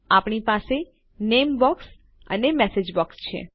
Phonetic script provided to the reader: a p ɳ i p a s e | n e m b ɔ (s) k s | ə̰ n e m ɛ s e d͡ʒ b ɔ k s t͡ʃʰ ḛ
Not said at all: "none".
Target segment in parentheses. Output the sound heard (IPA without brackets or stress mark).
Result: none